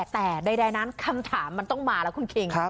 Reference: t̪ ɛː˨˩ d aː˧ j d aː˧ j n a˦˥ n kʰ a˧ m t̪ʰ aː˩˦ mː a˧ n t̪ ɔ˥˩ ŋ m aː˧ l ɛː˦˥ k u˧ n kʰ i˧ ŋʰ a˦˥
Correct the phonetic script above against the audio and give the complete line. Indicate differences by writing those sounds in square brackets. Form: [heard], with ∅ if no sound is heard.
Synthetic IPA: t̪ ɛː˨˩ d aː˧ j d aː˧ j n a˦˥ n kʰ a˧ m t̪ʰ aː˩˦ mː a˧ n t̪ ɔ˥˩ ŋ m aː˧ l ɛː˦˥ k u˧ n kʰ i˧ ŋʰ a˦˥